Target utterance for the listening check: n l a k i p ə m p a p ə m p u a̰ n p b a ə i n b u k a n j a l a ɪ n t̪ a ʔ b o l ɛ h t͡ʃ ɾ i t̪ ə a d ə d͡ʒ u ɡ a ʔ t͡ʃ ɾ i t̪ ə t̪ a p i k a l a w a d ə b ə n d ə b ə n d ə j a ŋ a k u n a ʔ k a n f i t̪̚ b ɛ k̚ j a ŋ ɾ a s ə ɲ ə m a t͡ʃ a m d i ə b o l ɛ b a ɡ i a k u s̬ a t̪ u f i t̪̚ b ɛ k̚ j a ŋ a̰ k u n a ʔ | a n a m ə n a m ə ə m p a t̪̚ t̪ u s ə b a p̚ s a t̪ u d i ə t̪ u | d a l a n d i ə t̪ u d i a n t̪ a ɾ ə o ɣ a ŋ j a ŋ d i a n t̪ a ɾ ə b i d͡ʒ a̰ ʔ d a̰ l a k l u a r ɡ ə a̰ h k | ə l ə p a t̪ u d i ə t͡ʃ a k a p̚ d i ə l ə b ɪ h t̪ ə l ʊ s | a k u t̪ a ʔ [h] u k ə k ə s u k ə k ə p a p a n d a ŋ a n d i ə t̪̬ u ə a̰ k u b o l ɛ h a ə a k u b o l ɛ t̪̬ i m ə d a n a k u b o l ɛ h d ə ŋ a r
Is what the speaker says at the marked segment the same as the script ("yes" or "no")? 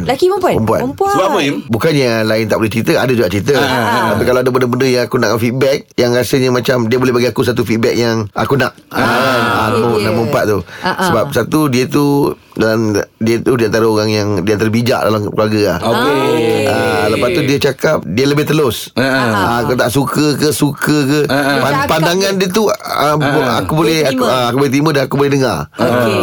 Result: no